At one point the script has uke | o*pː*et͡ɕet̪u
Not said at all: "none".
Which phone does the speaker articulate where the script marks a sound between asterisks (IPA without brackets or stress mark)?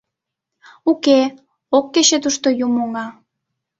kː